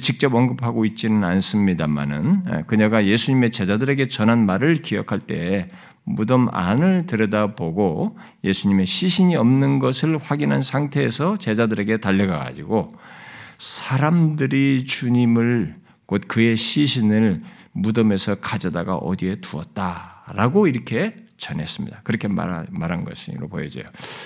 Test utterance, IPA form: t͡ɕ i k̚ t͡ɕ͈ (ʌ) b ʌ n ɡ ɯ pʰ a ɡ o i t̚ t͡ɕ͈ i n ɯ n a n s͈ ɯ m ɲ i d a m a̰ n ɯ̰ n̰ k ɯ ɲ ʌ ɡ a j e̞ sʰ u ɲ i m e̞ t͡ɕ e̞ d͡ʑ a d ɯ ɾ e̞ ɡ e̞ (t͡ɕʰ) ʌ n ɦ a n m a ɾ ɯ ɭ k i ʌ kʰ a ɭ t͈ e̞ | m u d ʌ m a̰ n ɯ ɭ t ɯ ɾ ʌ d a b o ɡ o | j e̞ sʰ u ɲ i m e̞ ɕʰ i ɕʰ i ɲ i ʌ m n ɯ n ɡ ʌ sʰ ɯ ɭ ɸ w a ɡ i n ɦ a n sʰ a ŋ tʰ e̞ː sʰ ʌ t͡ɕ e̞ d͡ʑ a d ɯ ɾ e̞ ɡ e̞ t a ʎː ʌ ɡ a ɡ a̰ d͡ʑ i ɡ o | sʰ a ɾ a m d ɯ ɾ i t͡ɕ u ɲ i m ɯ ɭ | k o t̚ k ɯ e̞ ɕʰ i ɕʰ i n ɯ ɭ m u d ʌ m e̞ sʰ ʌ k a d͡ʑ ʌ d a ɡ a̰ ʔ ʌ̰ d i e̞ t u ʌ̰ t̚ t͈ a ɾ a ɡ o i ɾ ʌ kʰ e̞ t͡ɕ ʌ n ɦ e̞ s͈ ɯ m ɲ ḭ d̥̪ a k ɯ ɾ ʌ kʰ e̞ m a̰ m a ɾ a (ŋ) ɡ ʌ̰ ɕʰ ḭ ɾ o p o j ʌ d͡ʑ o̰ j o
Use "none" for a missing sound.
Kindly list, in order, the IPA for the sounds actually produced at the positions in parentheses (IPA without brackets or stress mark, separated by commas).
ʌ, t͡ɕ, n